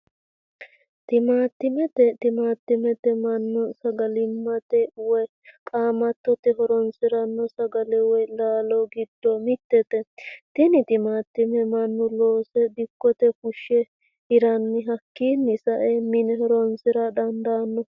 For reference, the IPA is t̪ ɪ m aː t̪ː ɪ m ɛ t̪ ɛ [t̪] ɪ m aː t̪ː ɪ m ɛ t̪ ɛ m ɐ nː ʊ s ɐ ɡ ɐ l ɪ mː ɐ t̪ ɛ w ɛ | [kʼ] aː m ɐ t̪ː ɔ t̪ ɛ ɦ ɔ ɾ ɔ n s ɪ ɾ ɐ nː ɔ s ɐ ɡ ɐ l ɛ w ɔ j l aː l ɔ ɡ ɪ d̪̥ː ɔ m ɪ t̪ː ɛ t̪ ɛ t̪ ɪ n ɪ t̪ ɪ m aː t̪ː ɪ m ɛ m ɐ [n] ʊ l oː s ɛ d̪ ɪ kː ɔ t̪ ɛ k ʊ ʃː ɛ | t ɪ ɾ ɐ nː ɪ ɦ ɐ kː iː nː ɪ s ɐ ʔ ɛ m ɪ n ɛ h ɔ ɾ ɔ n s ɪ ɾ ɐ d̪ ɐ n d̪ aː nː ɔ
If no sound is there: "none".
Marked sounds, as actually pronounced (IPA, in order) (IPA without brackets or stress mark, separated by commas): t̪, kʼ, nː